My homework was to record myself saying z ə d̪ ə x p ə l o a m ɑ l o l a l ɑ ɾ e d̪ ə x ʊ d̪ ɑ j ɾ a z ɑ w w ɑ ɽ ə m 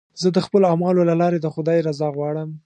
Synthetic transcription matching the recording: z ə d̪ ə x p ə l o a m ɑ l o l a l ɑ ɾ e d̪ ə x ʊ d̪ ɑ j ɾ a z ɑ ɣ w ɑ ɽ ə m